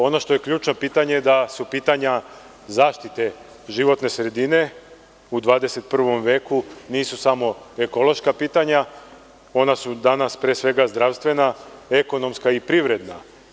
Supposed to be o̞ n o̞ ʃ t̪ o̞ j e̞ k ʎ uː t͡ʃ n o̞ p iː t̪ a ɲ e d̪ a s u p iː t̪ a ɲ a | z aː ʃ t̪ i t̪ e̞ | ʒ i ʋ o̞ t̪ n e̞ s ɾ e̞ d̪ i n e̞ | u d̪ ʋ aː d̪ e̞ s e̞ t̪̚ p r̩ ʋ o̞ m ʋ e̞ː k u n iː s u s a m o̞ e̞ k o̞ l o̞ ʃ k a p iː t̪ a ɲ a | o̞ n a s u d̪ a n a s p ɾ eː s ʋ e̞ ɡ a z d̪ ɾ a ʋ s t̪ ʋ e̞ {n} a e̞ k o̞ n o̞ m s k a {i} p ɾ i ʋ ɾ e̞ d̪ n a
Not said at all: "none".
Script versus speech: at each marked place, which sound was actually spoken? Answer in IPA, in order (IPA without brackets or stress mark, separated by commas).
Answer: n, i